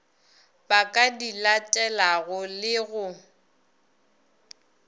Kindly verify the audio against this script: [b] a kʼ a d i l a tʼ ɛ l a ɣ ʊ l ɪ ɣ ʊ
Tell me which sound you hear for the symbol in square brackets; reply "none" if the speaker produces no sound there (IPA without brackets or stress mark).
b